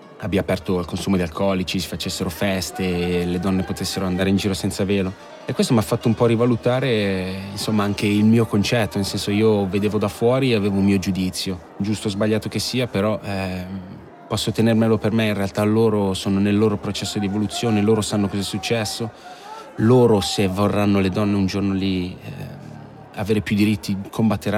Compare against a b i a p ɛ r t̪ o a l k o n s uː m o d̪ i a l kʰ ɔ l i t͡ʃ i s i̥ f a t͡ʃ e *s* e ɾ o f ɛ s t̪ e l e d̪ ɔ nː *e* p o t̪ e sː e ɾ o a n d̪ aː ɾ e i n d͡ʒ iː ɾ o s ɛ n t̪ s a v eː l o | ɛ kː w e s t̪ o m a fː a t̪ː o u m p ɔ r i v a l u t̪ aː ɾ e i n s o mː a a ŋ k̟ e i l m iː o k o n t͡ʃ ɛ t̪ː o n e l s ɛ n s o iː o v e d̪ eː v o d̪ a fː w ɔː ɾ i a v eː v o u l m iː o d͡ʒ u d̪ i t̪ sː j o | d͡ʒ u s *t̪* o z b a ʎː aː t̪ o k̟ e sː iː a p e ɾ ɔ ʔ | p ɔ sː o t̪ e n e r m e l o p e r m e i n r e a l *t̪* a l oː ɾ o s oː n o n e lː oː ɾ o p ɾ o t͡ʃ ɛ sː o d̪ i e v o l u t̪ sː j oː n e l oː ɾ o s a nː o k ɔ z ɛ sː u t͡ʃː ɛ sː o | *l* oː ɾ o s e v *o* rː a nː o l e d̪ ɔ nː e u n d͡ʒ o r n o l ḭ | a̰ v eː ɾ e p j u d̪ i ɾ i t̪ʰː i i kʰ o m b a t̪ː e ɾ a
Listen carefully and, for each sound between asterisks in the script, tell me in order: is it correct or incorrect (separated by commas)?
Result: incorrect, correct, correct, correct, correct, correct